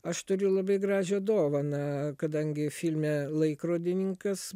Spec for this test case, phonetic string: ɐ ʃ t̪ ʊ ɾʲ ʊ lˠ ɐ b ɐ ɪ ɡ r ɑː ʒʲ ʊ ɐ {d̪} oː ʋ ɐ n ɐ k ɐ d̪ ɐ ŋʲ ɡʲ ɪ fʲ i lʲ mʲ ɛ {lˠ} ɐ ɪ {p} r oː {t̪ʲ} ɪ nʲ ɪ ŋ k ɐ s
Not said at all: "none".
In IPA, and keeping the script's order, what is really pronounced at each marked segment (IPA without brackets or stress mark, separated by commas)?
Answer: d̪, lˠ, k, d̪ʲ